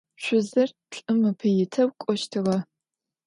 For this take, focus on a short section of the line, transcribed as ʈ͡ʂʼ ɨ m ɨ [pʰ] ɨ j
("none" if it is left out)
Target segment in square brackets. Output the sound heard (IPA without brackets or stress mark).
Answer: pʰ